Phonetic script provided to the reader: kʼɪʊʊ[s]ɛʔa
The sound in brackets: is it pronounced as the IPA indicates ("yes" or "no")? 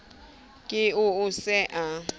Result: yes